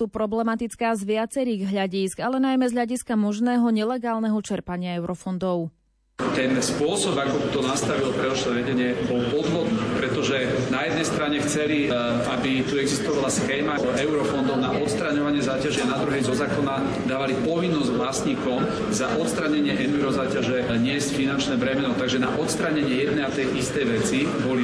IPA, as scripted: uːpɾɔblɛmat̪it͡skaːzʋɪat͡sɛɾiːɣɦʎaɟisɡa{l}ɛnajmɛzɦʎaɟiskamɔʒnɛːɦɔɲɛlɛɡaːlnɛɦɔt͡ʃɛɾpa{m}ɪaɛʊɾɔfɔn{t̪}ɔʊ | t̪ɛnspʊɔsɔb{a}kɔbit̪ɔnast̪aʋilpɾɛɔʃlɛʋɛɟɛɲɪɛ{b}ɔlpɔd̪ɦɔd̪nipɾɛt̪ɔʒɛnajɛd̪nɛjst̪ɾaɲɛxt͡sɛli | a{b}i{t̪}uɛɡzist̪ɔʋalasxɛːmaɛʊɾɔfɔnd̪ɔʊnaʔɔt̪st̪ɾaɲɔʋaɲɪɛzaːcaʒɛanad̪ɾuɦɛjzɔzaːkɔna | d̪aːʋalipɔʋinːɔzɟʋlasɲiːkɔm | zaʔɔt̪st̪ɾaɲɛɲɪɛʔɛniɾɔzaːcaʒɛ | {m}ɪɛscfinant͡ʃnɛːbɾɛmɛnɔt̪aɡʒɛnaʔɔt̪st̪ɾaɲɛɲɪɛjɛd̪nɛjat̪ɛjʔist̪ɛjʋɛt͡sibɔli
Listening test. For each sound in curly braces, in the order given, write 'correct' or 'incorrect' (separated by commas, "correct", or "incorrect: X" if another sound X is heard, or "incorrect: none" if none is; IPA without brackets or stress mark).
correct, incorrect: ɲ, incorrect: d̪, correct, correct, correct, correct, incorrect: ɲ